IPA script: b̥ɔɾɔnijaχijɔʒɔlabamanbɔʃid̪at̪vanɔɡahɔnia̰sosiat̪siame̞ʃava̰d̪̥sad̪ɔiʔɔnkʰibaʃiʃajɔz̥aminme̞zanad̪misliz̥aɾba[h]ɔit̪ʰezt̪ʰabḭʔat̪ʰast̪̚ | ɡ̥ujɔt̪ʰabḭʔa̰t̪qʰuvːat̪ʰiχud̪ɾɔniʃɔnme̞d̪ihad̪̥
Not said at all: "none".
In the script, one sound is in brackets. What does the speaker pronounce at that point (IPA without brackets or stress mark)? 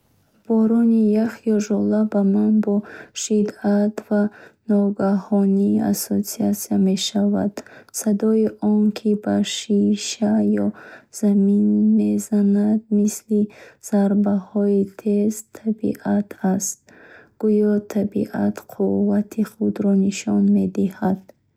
h